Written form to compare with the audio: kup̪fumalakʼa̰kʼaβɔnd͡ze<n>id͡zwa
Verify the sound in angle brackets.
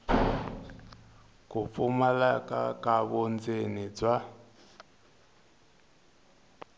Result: correct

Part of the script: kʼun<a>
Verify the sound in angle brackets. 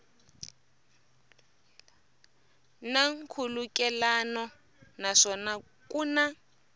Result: correct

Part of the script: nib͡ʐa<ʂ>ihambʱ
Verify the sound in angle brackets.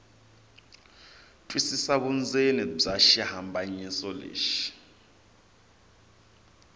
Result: incorrect: ʃ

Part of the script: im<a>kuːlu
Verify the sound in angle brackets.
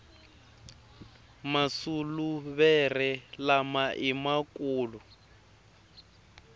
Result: correct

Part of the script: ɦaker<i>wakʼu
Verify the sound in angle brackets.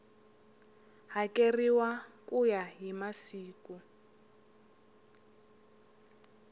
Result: correct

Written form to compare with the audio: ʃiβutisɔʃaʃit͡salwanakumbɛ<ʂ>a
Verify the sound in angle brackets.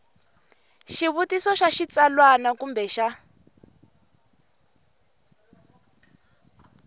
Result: incorrect: ʃ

